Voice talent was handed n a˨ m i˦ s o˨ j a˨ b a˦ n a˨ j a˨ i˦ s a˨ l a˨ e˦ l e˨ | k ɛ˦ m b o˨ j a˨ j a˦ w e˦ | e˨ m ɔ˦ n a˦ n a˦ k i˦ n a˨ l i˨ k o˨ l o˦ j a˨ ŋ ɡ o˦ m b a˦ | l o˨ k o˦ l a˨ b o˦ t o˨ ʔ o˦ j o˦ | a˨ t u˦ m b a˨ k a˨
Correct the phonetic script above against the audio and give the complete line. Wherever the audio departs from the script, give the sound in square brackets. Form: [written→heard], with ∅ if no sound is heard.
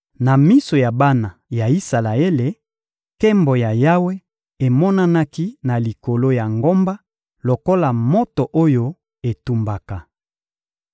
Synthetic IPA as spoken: n a˨ m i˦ s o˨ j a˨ b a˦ n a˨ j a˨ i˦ s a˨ l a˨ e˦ l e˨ | k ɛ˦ m b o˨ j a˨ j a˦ w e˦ | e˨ m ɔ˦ n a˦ n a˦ k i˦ n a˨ l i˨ k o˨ l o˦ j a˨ ŋ ɡ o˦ m b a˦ | l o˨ k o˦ l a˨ [b→m] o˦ t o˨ ʔ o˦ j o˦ | [a˨→e˨] t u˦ m b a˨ k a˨